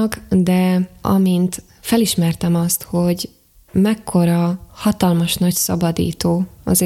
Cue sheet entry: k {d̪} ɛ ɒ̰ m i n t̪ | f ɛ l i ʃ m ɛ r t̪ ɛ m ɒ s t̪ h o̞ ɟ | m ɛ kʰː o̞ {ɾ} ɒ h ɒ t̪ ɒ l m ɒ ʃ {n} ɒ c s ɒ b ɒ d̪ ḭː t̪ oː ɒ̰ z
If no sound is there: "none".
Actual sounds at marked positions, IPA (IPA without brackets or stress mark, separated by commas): d̪, ɾ, n